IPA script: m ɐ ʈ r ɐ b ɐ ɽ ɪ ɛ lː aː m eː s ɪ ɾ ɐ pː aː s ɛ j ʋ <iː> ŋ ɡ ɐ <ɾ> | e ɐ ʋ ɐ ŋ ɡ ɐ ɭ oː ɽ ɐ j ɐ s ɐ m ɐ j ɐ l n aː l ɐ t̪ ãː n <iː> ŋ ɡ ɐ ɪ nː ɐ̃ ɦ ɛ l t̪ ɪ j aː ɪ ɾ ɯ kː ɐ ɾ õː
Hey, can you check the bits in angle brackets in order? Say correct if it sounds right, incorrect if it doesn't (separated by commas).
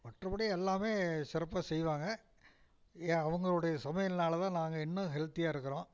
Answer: incorrect, incorrect, incorrect